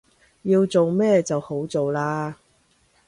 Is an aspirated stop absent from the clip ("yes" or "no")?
yes